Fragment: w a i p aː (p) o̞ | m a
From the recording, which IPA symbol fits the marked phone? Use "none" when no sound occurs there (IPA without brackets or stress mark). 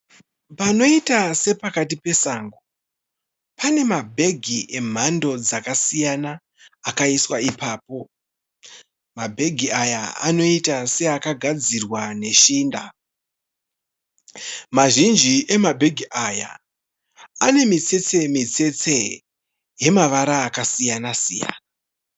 p